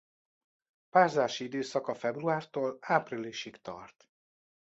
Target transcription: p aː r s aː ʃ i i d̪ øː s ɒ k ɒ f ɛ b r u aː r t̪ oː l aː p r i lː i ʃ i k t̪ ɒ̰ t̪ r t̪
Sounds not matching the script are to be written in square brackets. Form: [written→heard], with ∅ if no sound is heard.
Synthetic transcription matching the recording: p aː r [s→z] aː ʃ i i d̪ øː s ɒ k ɒ f ɛ b r u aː r t̪ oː l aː p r i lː i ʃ i k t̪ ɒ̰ [t̪→∅] r t̪